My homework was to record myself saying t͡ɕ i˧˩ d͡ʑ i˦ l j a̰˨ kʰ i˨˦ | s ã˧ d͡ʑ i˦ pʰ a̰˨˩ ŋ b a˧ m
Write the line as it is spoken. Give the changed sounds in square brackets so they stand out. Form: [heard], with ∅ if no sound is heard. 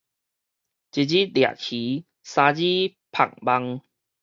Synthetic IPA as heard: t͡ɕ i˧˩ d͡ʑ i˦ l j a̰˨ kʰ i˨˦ | s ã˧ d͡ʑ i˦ pʰ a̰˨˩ ŋ b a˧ [ŋ]